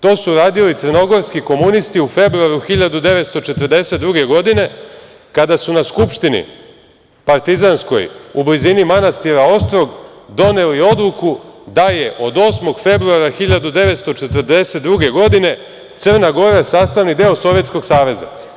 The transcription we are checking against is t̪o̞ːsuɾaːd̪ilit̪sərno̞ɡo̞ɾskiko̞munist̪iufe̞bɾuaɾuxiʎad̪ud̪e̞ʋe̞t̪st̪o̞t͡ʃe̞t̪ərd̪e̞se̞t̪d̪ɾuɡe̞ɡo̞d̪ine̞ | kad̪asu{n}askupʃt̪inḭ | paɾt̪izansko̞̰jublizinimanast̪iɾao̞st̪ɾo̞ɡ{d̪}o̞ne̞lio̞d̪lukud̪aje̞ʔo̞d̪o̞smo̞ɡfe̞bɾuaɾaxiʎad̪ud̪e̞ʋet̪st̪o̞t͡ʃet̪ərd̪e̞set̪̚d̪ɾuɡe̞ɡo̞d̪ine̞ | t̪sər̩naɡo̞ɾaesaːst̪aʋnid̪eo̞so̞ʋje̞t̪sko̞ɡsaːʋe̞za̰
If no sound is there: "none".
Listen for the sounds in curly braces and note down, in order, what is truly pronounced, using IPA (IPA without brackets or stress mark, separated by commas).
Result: n, d̪